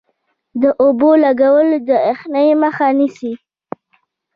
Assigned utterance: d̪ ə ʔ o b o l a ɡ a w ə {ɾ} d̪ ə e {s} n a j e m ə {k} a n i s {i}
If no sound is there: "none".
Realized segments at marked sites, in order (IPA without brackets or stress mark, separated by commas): l, x, x, i